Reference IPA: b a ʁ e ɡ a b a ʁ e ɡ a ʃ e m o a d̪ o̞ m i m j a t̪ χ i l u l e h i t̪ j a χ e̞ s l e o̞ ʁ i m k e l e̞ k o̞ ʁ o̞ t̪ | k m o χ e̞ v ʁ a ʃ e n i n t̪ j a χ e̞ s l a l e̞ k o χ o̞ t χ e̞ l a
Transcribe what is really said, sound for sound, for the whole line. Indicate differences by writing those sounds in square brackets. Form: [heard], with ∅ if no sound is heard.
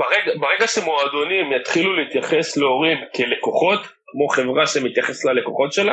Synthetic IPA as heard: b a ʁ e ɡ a b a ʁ e ɡ a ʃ e m o a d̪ o̞ [n] i m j a t̪ χ i l u l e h i t̪ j a χ e̞ s l e o̞ ʁ i m k e l e̞ k o̞ [χ] o̞ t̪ | k m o χ e̞ v ʁ a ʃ e [m] i [∅] t̪ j a χ e̞ s l a l e̞ k o χ o̞ t [ʃ] e̞ l a